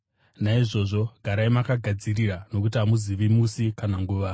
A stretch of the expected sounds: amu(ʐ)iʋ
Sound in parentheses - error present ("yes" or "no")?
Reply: yes